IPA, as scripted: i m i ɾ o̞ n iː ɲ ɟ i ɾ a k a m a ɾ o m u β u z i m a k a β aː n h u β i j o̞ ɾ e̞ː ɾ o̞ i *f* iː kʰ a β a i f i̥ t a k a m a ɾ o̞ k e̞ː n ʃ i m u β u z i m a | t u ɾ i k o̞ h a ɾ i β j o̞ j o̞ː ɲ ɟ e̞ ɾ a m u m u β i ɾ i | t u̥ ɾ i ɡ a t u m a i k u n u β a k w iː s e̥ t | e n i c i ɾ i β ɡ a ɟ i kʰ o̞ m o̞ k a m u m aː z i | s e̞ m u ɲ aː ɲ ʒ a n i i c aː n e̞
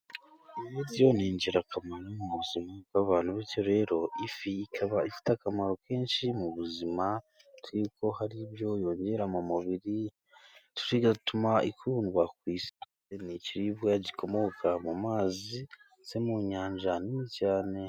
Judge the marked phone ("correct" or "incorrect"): correct